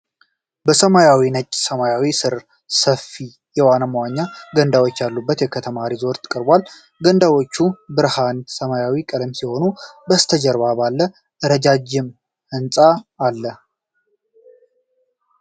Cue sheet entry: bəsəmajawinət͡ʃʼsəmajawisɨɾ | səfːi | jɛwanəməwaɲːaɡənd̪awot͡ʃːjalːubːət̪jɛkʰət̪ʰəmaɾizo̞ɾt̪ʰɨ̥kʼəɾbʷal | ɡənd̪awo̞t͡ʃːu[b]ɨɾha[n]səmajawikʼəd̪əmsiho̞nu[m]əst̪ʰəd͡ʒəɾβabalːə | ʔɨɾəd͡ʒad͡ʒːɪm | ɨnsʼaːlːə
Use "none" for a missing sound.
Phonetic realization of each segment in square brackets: b, n, b

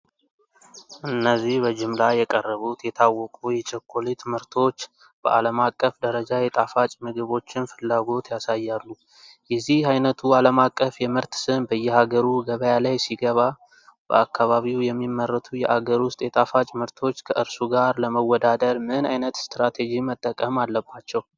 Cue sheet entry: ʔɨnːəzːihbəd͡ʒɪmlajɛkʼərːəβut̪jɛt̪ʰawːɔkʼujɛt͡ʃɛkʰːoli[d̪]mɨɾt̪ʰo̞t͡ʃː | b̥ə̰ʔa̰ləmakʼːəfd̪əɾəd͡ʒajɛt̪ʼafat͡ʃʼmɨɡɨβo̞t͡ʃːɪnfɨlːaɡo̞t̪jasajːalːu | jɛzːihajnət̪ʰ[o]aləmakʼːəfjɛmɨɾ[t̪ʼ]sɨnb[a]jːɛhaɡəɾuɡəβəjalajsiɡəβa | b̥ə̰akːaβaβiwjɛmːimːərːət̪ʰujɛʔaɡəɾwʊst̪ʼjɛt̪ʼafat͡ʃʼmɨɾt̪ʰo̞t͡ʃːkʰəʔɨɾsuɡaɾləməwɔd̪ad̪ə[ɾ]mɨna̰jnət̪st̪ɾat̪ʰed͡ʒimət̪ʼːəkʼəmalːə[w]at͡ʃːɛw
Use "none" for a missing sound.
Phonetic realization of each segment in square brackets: t̪, u, t̪, ə, ɾ, b

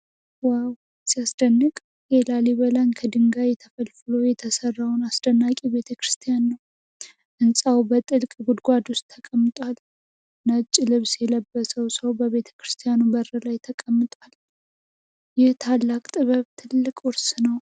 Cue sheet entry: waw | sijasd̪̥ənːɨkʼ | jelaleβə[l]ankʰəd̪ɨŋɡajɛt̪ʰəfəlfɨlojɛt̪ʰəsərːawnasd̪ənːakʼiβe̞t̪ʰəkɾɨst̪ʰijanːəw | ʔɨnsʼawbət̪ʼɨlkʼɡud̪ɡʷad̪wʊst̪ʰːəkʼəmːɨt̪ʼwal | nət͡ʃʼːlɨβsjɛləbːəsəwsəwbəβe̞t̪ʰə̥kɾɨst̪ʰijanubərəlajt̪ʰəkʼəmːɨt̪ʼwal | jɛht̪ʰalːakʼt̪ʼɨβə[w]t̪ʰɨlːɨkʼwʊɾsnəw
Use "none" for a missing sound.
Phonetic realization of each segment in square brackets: l, β

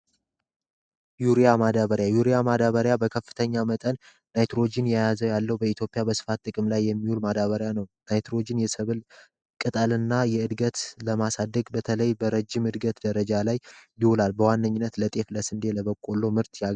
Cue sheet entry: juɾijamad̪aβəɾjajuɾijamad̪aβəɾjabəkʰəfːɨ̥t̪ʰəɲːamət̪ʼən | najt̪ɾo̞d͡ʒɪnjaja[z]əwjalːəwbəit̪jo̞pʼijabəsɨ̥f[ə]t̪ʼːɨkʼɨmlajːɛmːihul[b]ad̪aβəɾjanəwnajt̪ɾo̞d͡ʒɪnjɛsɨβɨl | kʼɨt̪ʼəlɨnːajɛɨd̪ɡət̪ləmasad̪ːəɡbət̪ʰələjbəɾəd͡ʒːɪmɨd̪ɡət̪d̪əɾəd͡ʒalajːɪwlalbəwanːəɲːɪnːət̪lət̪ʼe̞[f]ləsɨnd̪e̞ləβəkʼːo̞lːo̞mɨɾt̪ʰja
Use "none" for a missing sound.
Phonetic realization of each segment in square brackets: z, a, m, f

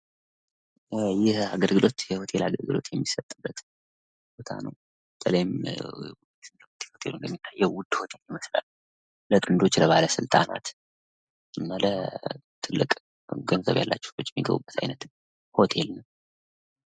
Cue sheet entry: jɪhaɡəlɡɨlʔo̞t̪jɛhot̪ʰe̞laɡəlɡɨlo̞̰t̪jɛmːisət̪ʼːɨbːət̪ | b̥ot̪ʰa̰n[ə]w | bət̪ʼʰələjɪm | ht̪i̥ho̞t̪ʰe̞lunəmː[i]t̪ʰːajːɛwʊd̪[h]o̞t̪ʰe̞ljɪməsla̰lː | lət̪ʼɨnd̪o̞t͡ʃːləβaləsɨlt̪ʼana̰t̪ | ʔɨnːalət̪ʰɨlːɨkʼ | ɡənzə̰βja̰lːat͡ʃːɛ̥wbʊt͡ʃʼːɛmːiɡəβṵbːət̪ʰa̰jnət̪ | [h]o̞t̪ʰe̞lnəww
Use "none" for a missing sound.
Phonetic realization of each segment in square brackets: ə, i, h, h

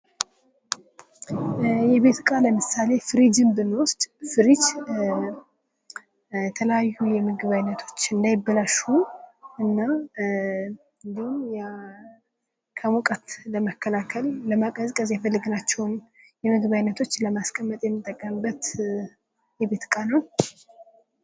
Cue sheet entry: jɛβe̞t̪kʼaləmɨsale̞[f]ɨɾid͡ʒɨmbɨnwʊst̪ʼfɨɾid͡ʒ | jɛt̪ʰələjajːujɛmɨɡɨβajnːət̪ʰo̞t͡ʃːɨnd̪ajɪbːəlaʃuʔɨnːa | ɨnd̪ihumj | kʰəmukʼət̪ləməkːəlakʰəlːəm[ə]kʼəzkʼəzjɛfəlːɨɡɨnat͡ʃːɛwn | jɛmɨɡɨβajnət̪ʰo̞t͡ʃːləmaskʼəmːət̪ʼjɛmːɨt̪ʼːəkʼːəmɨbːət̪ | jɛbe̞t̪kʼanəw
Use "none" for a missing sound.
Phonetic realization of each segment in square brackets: f, a

